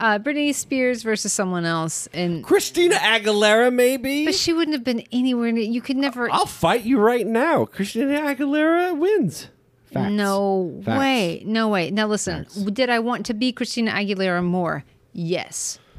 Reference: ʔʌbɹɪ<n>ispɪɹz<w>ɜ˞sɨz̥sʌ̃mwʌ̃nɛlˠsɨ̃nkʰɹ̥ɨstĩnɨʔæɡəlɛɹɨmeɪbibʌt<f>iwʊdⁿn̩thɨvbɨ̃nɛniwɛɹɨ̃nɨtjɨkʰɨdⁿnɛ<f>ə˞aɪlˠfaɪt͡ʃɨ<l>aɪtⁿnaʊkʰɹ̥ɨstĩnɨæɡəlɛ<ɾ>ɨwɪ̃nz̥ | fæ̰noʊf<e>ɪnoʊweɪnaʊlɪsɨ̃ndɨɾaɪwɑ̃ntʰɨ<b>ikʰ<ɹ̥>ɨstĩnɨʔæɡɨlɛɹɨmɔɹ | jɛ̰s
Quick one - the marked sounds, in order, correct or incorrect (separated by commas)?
correct, incorrect, incorrect, incorrect, incorrect, incorrect, correct, correct, correct